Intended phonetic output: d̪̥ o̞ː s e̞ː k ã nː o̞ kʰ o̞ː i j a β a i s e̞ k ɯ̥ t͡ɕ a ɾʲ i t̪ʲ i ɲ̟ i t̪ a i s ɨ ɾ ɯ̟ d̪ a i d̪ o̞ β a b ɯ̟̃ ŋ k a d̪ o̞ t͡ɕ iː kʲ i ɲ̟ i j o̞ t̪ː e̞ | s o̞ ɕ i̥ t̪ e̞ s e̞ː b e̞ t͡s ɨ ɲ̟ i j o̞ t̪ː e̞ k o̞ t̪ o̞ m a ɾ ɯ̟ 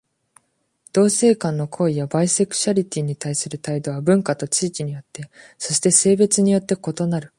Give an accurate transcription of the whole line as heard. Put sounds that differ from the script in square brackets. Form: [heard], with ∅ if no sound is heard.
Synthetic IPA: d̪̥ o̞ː s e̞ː k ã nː o̞ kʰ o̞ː i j a [b] a i s e̞ k ɯ̥ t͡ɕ a ɾʲ i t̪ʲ i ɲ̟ i t̪ a i s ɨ ɾ ɯ̟ [t̪] a i d̪ o̞ β a b ɯ̟̃ ŋ k a [t̪] o̞ t͡ɕ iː kʲ i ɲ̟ i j o̞ t̪ː e̞ | s o̞ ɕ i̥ t̪ e̞ s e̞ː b e̞ t͡s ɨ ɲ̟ i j o̞ t̪ː e̞ k o̞ t̪ o̞ [n] a ɾ ɯ̟